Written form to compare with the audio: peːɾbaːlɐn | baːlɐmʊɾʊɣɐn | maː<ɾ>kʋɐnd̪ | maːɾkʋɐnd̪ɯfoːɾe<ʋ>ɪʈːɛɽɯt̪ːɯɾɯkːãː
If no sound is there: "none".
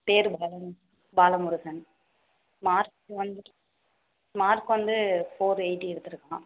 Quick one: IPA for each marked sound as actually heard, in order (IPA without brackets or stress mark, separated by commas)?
ɾ, none